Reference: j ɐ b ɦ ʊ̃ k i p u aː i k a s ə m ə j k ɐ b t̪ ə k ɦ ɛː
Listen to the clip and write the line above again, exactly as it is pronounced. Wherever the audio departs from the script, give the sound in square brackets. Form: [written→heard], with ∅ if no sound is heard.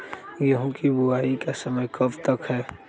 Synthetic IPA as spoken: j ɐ [b→∅] ɦ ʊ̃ k i [p→b] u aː i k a s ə m ə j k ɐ b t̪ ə k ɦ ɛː